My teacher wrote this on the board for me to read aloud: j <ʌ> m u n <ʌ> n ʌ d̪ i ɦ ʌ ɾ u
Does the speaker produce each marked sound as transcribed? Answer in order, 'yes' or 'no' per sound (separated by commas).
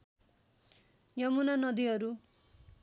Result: yes, no